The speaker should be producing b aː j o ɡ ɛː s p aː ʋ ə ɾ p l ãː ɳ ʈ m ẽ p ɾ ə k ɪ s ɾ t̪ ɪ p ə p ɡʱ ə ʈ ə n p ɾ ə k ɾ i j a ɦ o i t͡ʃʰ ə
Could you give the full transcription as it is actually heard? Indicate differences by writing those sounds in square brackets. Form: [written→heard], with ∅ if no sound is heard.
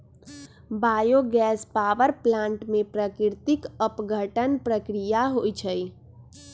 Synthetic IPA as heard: b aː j o ɡ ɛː s p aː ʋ ə ɾ p l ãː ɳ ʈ m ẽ p ɾ ə k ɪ [s→∅] ɾ t̪ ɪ [p→k] ə p ɡʱ ə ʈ ə n p ɾ ə k ɾ i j a ɦ o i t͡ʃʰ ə

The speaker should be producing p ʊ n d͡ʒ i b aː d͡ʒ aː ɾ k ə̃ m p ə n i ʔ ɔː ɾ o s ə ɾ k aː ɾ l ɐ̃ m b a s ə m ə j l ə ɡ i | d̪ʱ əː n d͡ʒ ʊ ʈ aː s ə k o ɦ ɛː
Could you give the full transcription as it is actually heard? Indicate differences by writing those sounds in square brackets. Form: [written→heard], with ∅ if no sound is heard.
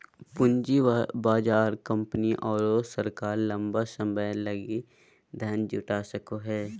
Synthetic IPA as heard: p ʊ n d͡ʒ i b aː d͡ʒ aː ɾ k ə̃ m p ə n i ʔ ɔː ɾ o s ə ɾ k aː ɾ l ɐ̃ m b a s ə m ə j l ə ɡ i | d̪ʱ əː n d͡ʒ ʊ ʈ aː s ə k o ɦ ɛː

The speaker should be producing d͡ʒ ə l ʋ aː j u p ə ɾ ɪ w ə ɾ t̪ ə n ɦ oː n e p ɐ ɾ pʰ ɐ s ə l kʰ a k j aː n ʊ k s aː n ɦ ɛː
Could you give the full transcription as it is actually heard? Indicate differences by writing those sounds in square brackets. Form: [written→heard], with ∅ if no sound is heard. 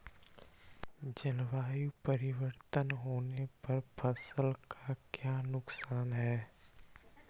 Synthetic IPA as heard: d͡ʒ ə l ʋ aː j u p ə ɾ ɪ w ə ɾ t̪ ə n ɦ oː n e p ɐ ɾ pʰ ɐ s ə l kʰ a k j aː n ʊ k s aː n ɦ ɛː

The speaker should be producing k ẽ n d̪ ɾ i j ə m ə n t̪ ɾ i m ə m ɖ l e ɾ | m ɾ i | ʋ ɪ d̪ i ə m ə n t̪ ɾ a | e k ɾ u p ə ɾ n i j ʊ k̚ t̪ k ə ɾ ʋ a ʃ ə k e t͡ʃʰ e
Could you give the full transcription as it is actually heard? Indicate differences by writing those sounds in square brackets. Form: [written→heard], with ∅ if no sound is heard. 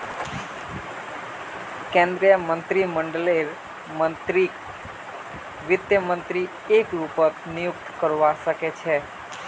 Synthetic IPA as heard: k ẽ n d̪ ɾ i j ə m ə n t̪ ɾ i m ə [m→ɳ] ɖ l e ɾ | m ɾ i | ʋ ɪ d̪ [i→j] ə m ə n t̪ ɾ [a→i] | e k ɾ u p ə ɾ n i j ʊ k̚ t̪ k ə ɾ ʋ a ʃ ə k e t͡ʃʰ e

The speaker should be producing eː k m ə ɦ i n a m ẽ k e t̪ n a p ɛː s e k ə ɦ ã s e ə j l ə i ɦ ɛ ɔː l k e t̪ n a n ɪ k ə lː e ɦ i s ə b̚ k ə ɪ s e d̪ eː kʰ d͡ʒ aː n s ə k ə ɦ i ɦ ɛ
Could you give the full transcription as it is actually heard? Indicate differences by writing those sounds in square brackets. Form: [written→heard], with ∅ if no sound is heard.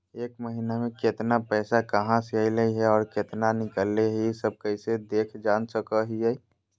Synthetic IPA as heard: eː k m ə ɦ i n a m ẽ k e t̪ n a p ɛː s [e→a] k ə ɦ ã s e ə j l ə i ɦ ɛ ɔː [l→ɾ] k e t̪ n a n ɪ k ə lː e ɦ i s ə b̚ k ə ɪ s e d̪ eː kʰ d͡ʒ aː n s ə k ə ɦ i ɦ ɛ

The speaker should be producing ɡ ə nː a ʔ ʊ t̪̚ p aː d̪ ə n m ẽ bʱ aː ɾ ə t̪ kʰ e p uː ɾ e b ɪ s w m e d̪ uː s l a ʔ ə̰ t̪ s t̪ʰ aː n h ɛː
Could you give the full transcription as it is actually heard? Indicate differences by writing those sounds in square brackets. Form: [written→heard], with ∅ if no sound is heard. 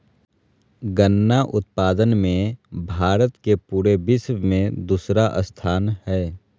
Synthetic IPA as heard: ɡ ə nː a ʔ ʊ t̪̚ p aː d̪ ə n m ẽ bʱ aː ɾ ə t̪ [kʰ→k] e p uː ɾ e b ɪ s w m [e→ẽ] d̪ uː s [l→ɾ] a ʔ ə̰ [t̪→∅] s t̪ʰ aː n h ɛː

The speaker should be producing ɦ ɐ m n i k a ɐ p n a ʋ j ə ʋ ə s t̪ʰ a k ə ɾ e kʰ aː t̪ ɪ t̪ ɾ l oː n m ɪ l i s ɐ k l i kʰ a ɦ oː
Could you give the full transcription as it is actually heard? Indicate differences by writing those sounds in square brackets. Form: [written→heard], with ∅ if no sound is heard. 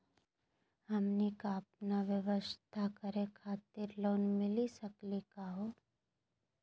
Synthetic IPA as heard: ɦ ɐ m n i k a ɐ p n a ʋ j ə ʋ ə s t̪ʰ a k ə ɾ e kʰ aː t̪ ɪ [t̪→∅] ɾ l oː n m ɪ l i s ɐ k l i [kʰ→k] a ɦ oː

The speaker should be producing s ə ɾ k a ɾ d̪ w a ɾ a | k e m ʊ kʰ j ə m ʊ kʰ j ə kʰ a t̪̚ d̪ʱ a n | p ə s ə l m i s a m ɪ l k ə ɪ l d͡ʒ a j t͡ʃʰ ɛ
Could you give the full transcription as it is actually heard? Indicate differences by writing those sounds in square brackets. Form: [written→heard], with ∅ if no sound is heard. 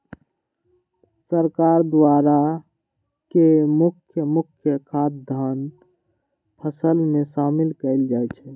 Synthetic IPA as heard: s ə ɾ k a ɾ d̪ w a ɾ a | k e m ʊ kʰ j ə m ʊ kʰ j ə kʰ a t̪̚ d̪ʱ a n | [p→pʰ] ə s ə l m [i→e] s a m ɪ l k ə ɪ l d͡ʒ a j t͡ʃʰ ɛ

